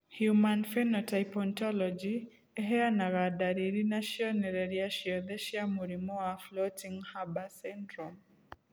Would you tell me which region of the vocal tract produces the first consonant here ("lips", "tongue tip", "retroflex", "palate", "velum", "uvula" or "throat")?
throat